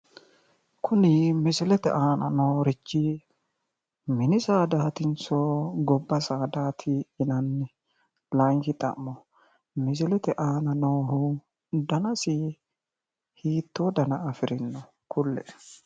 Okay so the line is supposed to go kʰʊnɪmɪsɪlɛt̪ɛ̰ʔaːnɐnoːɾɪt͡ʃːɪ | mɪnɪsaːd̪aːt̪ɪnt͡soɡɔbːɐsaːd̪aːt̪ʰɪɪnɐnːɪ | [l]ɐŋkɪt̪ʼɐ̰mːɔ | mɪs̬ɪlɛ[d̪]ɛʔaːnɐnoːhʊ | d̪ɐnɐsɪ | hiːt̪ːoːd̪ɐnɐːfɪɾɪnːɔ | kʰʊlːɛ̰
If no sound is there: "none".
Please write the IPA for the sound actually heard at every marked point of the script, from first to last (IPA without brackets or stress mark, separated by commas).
l, t̪